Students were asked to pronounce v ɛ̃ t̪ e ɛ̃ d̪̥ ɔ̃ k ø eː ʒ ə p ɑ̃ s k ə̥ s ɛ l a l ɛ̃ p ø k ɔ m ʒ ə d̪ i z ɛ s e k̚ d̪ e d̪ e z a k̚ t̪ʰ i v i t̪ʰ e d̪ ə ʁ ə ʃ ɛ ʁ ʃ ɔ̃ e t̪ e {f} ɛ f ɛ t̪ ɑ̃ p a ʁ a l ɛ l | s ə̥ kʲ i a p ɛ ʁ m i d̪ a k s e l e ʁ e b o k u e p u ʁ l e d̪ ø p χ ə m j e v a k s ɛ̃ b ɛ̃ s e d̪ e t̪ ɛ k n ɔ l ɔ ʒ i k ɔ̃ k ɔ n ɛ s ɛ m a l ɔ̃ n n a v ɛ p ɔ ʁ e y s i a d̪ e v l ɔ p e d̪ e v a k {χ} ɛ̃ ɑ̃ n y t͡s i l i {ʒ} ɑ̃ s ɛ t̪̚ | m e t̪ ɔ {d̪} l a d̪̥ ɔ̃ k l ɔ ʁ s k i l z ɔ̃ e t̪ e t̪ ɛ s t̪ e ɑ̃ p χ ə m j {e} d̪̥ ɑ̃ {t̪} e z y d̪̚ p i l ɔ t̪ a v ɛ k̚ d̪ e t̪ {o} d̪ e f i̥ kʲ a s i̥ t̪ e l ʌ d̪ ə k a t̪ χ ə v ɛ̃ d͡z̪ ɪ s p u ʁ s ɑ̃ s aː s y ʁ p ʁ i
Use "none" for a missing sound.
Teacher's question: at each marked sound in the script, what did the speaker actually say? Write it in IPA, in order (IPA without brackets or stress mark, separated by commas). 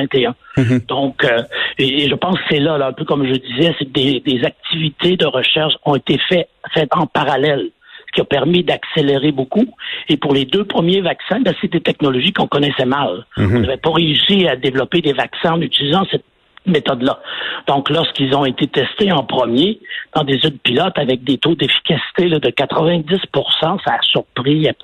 f, s, z, d̪, e, d̪, o